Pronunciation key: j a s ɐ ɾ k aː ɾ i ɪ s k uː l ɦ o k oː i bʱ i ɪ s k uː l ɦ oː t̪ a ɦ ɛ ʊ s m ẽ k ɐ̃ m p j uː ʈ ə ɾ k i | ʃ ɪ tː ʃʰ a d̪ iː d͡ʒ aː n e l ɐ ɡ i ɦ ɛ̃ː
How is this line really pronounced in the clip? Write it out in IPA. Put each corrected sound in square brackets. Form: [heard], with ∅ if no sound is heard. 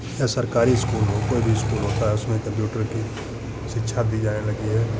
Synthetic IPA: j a s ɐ ɾ k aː ɾ i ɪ s k uː l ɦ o k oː i bʱ i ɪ s k uː l ɦ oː t̪ a ɦ ɛ ʊ s m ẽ k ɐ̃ m p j uː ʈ ə ɾ k i | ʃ ɪ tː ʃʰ a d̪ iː d͡ʒ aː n e l ɐ ɡ i ɦ [ɛː]